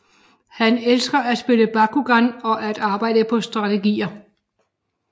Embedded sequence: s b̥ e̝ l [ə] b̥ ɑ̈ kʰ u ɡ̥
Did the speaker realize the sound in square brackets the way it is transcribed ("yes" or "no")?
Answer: yes